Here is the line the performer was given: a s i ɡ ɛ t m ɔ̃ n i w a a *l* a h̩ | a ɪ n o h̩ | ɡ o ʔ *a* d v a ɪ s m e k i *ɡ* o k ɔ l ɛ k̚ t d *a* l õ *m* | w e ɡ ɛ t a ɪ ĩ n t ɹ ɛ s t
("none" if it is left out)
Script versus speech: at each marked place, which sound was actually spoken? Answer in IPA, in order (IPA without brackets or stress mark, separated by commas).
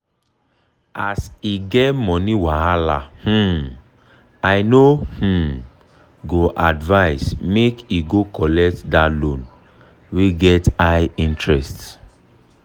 l, a, ɡ, a, n